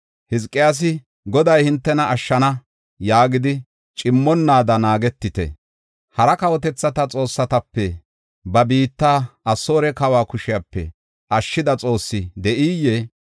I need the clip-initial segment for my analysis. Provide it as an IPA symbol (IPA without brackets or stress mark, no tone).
h